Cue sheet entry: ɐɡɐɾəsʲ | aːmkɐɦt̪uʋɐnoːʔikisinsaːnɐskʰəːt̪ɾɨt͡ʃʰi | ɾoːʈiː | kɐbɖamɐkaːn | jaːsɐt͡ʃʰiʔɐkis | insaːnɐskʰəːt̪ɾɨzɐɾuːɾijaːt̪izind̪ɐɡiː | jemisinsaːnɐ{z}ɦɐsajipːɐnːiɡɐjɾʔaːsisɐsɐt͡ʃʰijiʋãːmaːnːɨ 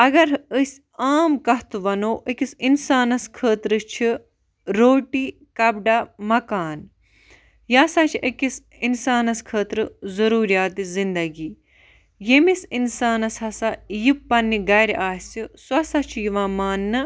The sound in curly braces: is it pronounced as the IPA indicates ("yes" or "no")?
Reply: no